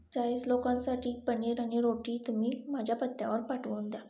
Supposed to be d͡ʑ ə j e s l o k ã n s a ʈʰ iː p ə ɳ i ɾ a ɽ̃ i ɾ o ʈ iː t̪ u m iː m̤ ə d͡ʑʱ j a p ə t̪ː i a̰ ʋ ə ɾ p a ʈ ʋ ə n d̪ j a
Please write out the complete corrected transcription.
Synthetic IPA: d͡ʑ a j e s l o k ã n s a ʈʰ iː p ə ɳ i ɾ a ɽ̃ i ɾ o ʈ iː t̪ u m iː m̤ a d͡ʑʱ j a p ə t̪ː j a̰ ʋ ə ɾ p a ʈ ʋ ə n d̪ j a

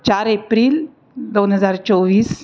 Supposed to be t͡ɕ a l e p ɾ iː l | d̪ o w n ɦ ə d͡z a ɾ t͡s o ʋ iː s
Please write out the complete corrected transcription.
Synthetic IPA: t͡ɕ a ɾ e p ɾ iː l | d̪ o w n ɦ ə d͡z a ɾ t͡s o ʋ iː s

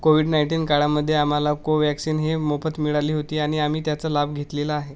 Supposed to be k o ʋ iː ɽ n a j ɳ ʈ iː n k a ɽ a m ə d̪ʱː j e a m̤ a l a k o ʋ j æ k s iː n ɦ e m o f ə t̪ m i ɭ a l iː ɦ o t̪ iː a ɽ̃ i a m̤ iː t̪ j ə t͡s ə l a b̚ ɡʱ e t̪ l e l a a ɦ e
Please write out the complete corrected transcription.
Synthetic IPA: k o ʋ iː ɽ n a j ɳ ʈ iː n k a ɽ a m ə d̪ʱː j e a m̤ a l a k o ʋ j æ k s iː n ɦ e m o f ə t̪ m i ɭ a l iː ɦ o t̪ iː a ɽ̃ i a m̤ iː t̪ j a t͡s ə l a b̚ ɡʱ e t̪ l e l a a ɦ e

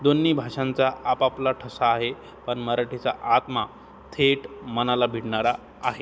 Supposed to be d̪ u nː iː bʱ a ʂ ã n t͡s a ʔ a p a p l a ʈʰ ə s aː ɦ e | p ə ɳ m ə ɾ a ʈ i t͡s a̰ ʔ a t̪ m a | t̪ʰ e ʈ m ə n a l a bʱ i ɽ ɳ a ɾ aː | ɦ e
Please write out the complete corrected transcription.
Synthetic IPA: d̪ o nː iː bʱ a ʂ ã n t͡s a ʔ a p a p l a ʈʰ ə s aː ɦ e | p ə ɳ m ə ɾ a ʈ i t͡s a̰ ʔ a t̪ m a | t̪ʰ e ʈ m ə n a l a bʱ i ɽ ɳ a ɾ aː | ɦ e

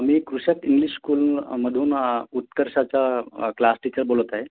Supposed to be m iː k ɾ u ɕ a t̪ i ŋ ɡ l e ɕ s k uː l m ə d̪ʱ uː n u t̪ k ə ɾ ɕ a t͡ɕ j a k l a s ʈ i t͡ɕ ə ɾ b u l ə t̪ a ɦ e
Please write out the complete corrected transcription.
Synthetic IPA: m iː k ɾ u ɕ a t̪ i ŋ ɡ l i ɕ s k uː l m ə d̪ʱ uː n u t̪ k ə ɾ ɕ a t͡ɕ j a k l a s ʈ i t͡ɕ ə ɾ b o l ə t̪ a ɦ e

